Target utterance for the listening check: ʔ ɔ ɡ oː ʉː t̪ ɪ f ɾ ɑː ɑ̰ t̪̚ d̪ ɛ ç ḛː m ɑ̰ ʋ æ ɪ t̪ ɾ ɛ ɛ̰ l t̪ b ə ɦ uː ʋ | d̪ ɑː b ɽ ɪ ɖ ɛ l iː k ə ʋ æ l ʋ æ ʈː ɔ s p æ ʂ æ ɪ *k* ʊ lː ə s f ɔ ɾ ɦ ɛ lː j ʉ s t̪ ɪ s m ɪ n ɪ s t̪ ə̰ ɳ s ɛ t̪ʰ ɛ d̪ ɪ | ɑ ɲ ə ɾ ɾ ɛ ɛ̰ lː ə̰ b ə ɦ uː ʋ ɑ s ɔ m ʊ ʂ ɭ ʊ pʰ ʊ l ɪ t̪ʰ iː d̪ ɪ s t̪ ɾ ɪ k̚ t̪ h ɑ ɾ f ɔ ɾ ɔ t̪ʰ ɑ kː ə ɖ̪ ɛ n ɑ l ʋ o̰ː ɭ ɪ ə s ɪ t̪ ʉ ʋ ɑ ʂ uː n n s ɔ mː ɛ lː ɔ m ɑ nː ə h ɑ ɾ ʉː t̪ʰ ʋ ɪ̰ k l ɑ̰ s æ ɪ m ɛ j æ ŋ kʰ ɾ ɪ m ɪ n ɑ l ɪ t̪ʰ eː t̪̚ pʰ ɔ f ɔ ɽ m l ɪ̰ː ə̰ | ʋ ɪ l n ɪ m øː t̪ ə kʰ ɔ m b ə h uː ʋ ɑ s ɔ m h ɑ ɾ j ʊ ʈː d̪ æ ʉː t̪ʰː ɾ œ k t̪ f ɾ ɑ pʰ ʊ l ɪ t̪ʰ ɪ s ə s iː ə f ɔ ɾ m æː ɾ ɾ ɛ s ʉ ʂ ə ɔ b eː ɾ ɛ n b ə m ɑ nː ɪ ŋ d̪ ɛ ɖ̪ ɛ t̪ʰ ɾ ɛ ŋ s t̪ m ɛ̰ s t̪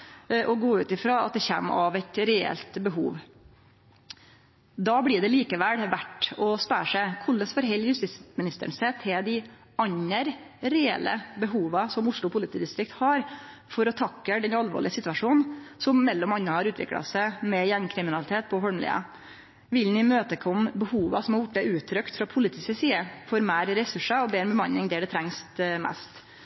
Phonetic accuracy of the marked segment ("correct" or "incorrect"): incorrect